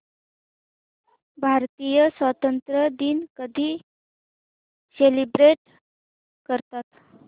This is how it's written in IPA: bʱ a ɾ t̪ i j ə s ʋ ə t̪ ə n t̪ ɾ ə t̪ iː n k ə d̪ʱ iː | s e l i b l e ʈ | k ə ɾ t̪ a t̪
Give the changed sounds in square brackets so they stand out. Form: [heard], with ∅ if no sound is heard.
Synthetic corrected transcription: bʱ a ɾ t̪ i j ə s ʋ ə t̪ ə n t̪ ɾ ə [d̪] iː n k ə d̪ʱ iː | s e l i b [ɾ] e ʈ | k ə ɾ t̪ a t̪